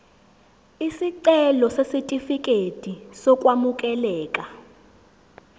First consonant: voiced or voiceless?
voiceless